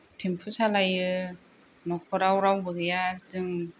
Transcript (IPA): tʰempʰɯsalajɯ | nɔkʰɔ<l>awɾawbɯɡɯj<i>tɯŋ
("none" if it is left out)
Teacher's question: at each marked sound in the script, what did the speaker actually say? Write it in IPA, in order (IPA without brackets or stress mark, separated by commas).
ɾ, a